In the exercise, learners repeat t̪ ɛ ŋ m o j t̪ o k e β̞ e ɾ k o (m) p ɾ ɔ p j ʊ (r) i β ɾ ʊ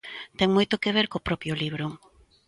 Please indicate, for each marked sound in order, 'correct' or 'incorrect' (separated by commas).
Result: incorrect, incorrect